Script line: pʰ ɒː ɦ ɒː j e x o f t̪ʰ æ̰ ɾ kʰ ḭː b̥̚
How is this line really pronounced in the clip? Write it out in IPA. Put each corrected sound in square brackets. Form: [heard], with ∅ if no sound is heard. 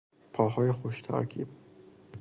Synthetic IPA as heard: pʰ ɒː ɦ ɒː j e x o [ʃ] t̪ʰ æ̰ ɾ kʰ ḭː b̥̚